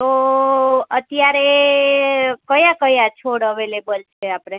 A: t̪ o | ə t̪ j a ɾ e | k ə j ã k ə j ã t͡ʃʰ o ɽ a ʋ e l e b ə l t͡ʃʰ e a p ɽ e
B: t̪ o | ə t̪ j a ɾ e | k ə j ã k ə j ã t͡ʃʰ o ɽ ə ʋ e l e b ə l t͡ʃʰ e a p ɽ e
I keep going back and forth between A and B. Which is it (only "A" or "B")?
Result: B